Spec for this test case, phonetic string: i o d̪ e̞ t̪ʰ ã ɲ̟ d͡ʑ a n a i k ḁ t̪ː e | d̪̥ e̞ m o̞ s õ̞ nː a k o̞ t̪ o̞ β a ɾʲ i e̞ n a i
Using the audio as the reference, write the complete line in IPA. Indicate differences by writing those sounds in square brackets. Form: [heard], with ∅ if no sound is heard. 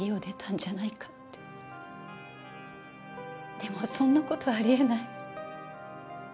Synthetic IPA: i o d̪ e̞ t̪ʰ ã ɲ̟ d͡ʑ a n a i k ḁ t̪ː e | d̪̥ e̞ m o̞ s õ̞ nː a k o̞ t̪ o̞ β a ɾʲ i e̞ n a i